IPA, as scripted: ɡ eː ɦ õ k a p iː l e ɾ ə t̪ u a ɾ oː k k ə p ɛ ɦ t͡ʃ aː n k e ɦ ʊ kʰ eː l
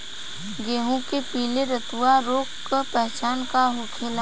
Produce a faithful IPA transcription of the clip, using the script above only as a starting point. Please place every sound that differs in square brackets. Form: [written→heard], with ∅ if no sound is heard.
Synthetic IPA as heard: ɡ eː ɦ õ k [a→e] p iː l e ɾ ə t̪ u a ɾ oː k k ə p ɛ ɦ t͡ʃ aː n k [e→a] ɦ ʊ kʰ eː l